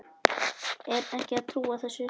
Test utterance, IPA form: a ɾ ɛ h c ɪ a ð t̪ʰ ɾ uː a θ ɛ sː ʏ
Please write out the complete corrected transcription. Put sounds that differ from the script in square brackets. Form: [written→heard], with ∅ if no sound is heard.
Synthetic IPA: [a→ɛ] ɾ ɛ h c ɪ a ð t̪ʰ ɾ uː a θ ɛ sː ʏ